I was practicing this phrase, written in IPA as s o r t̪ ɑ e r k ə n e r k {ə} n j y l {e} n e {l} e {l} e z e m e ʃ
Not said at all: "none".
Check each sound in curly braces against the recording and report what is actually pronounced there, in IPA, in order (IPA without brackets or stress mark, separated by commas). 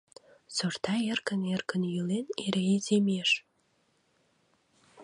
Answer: ə, e, ɾ, none